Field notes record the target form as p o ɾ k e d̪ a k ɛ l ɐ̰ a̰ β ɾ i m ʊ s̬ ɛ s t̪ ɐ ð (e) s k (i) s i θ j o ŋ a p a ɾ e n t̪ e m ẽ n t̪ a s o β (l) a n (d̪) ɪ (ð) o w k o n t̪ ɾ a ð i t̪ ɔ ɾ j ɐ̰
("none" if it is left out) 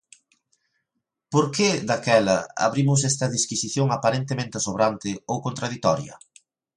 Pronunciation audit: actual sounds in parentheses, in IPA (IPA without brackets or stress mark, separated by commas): i, i, ɾ, t̪, none